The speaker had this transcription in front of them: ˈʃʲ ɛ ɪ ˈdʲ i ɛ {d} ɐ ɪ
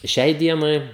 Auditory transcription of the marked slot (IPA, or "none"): n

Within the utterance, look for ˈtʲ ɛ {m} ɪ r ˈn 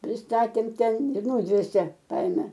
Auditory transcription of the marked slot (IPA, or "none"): n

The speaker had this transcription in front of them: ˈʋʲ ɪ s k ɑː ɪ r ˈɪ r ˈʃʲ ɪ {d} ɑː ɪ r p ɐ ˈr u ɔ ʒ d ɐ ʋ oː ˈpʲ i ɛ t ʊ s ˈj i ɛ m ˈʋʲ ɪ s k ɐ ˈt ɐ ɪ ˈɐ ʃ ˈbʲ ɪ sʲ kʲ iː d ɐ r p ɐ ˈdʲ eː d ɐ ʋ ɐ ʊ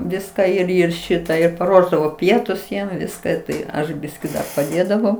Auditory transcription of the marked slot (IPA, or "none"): t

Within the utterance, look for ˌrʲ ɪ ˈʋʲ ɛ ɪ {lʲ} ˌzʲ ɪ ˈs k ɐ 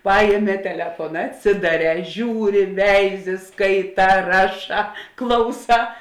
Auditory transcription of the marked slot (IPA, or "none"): none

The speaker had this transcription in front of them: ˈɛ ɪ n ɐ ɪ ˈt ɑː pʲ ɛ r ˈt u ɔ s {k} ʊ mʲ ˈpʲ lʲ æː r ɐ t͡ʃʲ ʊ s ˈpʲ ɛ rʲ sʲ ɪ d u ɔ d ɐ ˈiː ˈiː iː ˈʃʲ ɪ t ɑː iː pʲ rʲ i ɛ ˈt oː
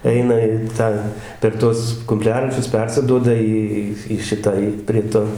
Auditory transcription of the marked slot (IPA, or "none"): k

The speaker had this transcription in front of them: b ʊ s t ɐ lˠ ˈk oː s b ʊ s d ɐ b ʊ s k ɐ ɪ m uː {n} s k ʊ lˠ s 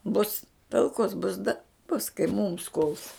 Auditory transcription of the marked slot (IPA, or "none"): m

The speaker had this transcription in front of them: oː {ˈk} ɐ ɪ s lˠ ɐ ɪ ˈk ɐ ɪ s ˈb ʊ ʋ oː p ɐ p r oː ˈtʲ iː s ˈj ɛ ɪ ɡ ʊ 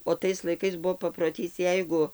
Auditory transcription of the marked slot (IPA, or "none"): t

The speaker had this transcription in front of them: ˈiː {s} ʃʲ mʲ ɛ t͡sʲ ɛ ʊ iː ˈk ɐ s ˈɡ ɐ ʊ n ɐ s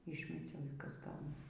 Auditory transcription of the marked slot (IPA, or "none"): none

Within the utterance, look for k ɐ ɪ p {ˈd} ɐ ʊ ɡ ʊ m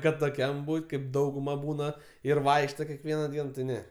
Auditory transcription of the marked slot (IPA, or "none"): d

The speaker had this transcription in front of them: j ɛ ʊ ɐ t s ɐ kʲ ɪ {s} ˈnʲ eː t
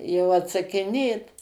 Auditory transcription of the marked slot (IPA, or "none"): none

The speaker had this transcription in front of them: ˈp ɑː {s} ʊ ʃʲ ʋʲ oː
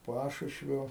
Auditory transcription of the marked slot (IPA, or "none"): ʃ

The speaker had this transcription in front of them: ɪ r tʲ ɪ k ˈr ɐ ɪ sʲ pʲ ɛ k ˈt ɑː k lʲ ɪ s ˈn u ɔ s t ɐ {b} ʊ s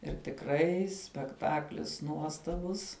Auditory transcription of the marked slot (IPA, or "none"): b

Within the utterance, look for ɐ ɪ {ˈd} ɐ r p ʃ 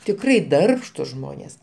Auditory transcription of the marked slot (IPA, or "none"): d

